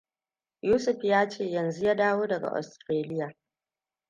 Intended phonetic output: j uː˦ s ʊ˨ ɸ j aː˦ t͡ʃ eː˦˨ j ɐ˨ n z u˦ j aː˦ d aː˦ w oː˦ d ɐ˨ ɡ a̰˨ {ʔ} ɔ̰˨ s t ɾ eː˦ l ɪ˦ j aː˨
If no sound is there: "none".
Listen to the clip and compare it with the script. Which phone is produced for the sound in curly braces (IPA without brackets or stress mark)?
ʔ